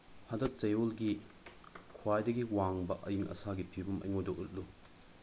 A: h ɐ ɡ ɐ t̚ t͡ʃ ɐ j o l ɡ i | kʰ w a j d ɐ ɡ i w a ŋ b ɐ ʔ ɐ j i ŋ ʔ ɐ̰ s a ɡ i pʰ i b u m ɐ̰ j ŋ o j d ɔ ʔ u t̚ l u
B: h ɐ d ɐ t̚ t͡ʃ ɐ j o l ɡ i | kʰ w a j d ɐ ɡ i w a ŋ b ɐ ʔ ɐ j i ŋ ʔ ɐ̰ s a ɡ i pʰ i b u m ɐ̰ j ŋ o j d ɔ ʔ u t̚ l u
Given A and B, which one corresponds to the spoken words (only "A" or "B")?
B